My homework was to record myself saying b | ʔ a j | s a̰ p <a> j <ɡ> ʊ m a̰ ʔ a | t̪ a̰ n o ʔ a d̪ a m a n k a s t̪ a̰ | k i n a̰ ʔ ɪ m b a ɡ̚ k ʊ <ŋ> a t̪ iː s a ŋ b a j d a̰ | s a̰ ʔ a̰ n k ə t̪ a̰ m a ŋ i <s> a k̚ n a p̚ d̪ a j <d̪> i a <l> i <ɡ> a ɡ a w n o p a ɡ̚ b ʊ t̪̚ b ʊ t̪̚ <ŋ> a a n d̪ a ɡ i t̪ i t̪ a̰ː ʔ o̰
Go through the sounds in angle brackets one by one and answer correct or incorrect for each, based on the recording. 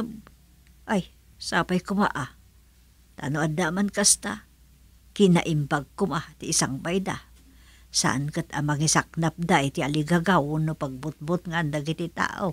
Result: correct, incorrect: k, incorrect: m, correct, incorrect: t̪, correct, correct, correct

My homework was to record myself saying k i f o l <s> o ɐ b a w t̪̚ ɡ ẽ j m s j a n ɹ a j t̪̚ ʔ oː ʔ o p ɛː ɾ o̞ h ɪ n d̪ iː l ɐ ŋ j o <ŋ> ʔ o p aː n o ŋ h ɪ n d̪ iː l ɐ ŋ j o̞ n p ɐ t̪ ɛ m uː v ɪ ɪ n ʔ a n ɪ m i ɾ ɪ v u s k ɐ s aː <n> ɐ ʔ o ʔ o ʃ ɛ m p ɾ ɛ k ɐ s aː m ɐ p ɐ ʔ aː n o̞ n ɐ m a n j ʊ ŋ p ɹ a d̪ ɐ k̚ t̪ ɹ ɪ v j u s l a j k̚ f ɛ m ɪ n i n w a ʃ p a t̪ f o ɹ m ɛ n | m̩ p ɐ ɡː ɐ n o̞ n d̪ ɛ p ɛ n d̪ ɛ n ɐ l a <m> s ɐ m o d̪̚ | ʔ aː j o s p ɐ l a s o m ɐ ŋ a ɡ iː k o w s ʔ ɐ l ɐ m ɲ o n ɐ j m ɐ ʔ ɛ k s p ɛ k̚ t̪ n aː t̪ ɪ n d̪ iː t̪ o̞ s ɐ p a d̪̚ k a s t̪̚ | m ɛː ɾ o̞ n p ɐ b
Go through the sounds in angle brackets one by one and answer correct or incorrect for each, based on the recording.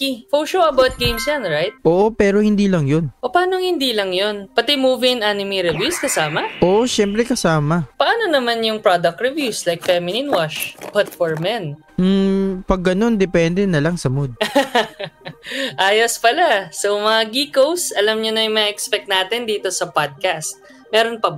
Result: incorrect: ʃ, incorrect: n, incorrect: m, incorrect: ŋ

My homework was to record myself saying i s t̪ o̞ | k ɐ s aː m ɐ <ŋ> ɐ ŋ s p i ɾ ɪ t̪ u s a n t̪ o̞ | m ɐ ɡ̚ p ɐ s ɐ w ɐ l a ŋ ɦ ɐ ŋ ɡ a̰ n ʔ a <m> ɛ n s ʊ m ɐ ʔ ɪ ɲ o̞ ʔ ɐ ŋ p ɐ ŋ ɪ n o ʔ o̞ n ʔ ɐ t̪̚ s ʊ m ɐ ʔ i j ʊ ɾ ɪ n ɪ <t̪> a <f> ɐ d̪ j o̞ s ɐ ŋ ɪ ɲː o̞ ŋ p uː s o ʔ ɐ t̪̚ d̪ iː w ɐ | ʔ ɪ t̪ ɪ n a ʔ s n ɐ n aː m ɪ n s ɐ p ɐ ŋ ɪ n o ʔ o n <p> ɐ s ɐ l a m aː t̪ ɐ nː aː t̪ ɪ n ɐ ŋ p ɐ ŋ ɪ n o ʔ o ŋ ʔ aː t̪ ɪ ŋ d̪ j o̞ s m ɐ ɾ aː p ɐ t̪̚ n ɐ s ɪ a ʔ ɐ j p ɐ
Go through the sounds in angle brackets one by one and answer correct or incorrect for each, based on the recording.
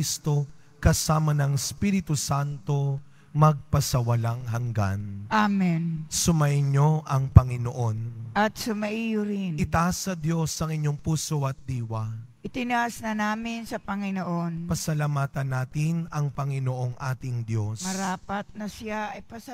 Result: incorrect: n, correct, correct, incorrect: s, correct

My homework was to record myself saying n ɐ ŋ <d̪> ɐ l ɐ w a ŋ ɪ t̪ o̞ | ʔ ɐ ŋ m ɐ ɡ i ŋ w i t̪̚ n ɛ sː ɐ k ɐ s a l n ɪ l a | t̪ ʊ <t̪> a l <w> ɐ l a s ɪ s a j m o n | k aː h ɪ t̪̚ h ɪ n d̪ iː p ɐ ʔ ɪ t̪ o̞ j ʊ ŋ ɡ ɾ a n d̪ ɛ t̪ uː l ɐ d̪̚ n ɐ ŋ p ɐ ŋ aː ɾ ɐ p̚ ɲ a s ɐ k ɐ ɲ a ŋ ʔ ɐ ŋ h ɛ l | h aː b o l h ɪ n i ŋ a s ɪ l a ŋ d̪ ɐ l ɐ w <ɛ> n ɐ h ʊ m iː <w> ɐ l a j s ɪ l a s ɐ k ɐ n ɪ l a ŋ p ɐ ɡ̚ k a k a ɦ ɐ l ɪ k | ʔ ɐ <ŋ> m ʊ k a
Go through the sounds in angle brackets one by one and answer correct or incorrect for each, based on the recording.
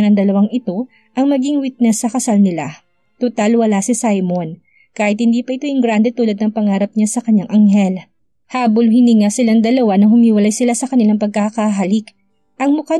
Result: correct, correct, correct, incorrect: a, correct, correct

